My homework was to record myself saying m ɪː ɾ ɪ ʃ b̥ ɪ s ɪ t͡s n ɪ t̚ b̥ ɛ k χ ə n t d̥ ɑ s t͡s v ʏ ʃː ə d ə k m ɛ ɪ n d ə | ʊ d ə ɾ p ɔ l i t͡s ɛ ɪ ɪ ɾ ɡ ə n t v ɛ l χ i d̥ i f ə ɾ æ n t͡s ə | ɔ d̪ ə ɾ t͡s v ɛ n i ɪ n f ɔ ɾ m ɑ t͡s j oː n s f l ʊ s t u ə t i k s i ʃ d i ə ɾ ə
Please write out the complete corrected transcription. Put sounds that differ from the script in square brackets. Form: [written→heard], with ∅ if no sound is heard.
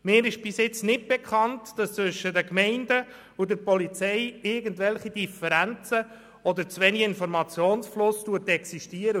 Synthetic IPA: m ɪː ɾ ɪ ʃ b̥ ɪ s ɪ t͡s n ɪ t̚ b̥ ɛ k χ [ə→ɑ] n t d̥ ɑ s t͡s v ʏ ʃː ə d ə k m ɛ ɪ n d ə | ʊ d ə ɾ p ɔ l i t͡s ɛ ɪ ɪ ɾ ɡ ə n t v ɛ l χ i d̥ i f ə ɾ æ n t͡s ə | ɔ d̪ ə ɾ t͡s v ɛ n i ɪ n f ɔ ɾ m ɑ t͡s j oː n s f l ʊ s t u ə t [i→ɛ] k s i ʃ [d→t] i ə ɾ ə